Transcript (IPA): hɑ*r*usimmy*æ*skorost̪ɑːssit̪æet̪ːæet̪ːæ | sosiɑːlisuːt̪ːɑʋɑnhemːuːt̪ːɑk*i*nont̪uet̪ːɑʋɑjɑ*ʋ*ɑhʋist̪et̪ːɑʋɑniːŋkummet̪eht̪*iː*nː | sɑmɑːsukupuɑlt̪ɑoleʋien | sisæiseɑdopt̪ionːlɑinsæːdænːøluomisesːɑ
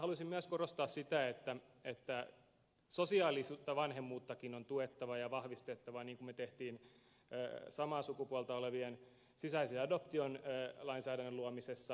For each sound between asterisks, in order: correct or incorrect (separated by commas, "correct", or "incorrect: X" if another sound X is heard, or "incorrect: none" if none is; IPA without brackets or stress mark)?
incorrect: l, correct, correct, correct, correct